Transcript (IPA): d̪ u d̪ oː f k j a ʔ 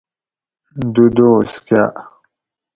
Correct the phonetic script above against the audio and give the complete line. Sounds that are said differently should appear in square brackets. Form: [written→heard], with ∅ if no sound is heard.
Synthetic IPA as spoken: d̪ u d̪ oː [f→s] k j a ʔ